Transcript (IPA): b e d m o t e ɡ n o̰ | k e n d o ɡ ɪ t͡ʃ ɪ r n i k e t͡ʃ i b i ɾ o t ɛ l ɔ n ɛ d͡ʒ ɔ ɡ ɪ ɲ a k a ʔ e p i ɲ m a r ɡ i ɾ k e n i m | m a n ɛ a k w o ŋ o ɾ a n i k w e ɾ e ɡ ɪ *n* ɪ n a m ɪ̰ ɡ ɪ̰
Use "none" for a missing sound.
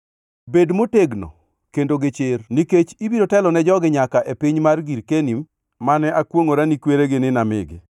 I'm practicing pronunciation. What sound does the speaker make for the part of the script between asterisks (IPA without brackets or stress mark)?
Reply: n